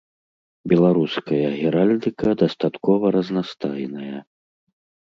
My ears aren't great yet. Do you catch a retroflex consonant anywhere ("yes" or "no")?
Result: no